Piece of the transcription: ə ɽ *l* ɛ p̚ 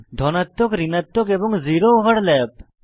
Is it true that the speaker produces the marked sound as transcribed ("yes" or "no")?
yes